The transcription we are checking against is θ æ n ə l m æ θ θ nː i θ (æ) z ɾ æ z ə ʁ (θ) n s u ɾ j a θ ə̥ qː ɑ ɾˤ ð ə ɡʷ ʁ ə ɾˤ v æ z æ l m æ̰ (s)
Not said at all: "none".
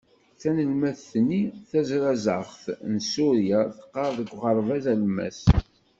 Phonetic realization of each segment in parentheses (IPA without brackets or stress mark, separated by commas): æ, θ, s